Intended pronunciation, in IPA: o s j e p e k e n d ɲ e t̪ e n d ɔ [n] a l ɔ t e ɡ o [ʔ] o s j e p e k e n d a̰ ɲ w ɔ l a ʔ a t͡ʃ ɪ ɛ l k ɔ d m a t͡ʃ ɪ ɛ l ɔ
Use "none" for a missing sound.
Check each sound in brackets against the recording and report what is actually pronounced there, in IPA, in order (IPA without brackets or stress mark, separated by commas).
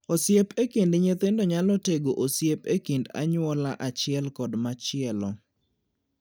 ɲ, ʔ